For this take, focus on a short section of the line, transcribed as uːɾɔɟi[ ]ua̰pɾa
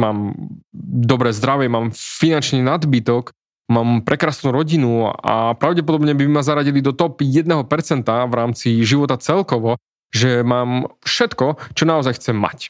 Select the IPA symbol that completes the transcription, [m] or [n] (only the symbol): n